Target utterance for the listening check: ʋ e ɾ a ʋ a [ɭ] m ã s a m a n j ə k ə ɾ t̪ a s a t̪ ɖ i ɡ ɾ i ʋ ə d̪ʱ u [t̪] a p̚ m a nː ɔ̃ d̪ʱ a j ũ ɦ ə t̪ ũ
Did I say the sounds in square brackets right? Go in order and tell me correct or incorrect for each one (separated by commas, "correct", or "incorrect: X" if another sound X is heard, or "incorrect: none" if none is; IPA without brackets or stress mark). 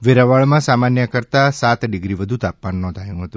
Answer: correct, correct